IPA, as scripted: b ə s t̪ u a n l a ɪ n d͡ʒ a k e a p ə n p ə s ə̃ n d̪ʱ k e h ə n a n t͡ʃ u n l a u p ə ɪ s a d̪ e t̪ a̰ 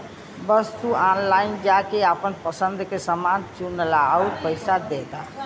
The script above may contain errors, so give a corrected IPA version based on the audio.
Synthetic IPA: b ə s t̪ u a n l a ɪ n d͡ʒ a k e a p ə n p ə s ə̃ n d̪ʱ k e s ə m a n t͡ʃ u n l a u p ə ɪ s a d̪ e t̪ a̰